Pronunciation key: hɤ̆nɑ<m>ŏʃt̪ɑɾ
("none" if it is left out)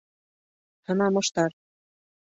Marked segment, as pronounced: m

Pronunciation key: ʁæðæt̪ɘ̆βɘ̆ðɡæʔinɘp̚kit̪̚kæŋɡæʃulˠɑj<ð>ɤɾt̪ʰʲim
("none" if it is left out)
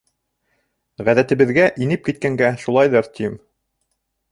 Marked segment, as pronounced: ð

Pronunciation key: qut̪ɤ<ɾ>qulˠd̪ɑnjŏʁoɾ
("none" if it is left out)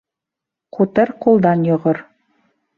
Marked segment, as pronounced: ɾ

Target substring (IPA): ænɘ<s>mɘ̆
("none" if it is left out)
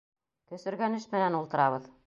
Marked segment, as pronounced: ʃ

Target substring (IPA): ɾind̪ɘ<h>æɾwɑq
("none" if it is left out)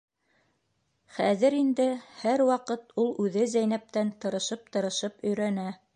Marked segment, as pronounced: h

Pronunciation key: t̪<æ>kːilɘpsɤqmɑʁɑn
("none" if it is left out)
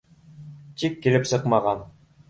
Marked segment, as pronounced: i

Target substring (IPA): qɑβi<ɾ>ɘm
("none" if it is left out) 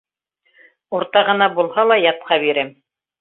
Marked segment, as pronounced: ɾ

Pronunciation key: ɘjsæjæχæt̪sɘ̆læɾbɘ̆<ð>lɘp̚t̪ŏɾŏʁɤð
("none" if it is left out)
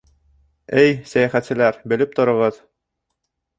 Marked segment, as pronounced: none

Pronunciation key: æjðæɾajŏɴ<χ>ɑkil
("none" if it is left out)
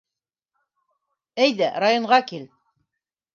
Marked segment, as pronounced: ʁ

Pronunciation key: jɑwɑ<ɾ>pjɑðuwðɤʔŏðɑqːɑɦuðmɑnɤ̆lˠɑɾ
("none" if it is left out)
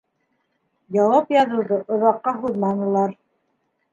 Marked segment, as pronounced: none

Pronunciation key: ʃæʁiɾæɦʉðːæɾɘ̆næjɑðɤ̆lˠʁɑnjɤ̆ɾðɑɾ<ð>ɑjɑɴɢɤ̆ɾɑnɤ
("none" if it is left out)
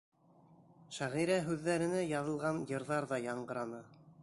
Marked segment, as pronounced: ð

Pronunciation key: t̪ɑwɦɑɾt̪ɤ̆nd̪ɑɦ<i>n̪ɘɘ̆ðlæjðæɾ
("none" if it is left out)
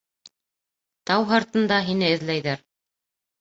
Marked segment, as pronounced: i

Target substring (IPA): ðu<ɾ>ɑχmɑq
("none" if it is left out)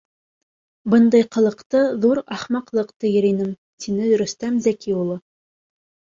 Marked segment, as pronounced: ɾ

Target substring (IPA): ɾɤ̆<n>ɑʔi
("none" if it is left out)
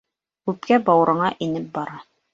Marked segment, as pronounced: ɴ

